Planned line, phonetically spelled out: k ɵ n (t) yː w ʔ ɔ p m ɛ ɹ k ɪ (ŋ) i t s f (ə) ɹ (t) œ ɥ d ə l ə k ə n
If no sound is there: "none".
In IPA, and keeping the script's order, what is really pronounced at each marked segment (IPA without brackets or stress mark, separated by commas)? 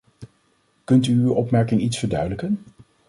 t, ŋ, ə, d